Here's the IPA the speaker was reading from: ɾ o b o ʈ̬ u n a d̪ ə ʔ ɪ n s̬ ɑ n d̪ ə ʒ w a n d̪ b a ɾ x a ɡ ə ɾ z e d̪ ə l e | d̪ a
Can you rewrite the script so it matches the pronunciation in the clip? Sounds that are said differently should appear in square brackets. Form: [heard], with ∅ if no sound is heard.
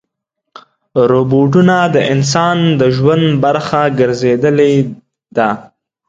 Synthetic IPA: ɾ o b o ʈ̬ u n a d̪ ə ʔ ɪ n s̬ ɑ n d̪ ə ʒ w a n d̪ b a ɾ x a ɡ ə ɾ z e d̪ ə l e | d̪ a